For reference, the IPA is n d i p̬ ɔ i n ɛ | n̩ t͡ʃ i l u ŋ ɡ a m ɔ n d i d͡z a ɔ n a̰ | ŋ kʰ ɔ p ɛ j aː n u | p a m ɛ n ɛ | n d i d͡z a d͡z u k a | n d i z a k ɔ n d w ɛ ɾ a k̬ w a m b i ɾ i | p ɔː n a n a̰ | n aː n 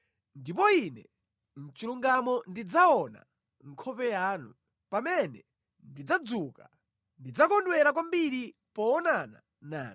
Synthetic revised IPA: n d i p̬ ɔ i n ɛ | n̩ t͡ʃ i l u ŋ ɡ a m ɔ n d i d͡z a ɔ n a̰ | ŋ kʰ ɔ p ɛ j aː n u | p a m ɛ n ɛ | n d i d͡z a d͡z u k a | n d i d͡z a k ɔ n d w ɛ ɾ a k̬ w a m b i ɾ i | p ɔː n a n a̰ | n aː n